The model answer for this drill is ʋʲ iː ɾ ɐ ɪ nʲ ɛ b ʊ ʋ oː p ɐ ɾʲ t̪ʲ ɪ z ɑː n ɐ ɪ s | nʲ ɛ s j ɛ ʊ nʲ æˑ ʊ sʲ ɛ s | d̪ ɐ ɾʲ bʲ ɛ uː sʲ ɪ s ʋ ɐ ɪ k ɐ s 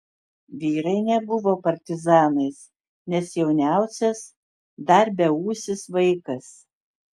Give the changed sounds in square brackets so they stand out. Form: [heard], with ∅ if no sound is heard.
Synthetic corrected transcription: ʋʲ iː ɾ ɐ ɪ nʲ ɛ b ʊ ʋ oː p ɐ ɾʲ t̪ʲ ɪ z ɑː n ɐ ɪ s | nʲ ɛ s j ɛ ʊ nʲ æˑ ʊ sʲ ɛ s | d̪ ɐ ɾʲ bʲ ɛ uː sʲ ɪ s ʋ ɐ ɪ k ɐ s